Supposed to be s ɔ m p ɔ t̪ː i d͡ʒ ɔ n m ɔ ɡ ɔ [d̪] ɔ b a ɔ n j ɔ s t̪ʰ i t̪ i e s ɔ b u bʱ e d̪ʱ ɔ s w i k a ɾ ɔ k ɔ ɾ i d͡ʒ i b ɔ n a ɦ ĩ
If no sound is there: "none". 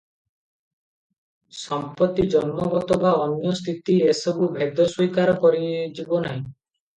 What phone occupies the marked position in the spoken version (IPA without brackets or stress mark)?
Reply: t̪